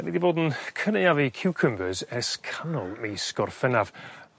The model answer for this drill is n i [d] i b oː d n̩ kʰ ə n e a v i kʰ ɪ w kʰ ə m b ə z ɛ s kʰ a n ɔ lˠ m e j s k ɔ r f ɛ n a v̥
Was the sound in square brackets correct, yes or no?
yes